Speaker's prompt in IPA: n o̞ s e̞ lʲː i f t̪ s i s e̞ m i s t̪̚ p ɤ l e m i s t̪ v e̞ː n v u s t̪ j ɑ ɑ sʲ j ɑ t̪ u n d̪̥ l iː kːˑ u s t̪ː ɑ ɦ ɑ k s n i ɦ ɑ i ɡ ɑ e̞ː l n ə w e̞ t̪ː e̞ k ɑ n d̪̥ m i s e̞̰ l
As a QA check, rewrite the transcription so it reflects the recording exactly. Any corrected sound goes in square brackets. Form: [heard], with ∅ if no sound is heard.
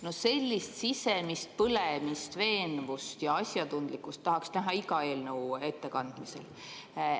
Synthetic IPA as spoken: n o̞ s e̞ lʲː i [s] t̪ s i s e̞ m i s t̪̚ p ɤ l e m i s t̪ v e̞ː n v u s t̪ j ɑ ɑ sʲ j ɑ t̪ u n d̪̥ l [i] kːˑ u s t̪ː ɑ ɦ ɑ k s n [æ] ɦ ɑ i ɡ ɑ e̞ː l n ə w e̞ t̪ː e̞ k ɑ n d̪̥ m i s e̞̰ l

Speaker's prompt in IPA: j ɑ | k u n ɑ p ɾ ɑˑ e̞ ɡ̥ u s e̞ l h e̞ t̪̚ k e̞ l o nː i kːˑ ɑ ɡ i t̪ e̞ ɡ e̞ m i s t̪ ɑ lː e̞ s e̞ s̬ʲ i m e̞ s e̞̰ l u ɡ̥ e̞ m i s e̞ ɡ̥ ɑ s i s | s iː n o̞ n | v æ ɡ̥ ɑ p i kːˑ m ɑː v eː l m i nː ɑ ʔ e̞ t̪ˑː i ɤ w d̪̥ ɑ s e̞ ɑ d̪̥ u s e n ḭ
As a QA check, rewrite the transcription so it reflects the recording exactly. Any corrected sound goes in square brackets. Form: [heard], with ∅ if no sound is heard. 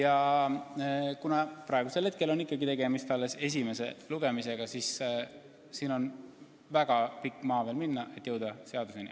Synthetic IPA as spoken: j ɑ | k u n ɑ p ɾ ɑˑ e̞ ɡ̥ u s e̞ l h e̞ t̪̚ k e̞ l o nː i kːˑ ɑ ɡ i t̪ e̞ ɡ e̞ m i s t̪ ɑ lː e̞ s e̞ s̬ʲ i m e̞ s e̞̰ l u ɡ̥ e̞ m i s e̞ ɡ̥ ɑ s i s | s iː n o̞ n | v æ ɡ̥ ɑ p i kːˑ m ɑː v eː l m i nː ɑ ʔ e̞ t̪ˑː [j] ɤ w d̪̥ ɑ s e̞ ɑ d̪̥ u s e n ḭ

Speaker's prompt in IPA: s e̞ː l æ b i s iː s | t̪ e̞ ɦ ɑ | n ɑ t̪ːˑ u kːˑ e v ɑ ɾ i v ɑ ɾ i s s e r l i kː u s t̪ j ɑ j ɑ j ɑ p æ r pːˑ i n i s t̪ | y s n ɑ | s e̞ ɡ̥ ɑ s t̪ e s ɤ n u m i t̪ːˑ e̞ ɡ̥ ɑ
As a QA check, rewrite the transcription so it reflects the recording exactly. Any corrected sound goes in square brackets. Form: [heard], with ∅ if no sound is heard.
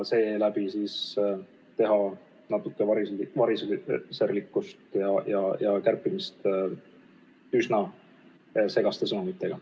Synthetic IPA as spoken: s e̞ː l æ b i s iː s | t̪ e̞ ɦ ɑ | n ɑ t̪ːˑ u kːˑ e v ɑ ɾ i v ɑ ɾ i s s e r l i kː u s t̪ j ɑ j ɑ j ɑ [k] æ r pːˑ i [m] i s t̪ | y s n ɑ | s e̞ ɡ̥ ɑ s t̪ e s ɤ n u m i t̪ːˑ e̞ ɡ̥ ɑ

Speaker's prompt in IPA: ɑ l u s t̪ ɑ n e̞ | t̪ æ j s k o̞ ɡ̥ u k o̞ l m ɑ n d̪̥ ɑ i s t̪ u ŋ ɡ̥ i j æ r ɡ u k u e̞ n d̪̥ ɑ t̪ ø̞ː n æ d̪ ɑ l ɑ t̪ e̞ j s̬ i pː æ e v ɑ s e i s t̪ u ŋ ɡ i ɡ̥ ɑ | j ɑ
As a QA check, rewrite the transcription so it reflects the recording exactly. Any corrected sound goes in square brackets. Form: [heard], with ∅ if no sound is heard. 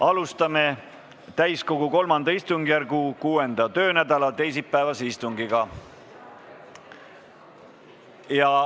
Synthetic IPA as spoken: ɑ l u s t̪ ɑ [m] e̞ | t̪ æ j s k o̞ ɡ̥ u k o̞ l m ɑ n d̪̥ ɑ i s t̪ u ŋ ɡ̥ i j æ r ɡ u k [uː] e̞ n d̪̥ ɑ t̪ ø̞ː n æ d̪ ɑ l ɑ t̪ e̞ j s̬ i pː æ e v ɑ s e i s t̪ u ŋ ɡ i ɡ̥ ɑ | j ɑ

